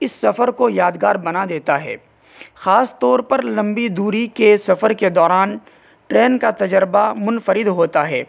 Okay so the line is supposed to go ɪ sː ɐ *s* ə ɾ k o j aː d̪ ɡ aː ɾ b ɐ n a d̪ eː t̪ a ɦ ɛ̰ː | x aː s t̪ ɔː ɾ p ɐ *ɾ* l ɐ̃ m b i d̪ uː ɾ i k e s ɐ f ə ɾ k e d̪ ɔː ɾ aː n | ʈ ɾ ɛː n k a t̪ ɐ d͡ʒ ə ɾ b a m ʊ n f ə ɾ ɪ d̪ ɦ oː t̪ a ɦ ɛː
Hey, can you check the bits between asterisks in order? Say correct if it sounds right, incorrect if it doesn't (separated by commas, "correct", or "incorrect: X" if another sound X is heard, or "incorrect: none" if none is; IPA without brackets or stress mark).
incorrect: f, correct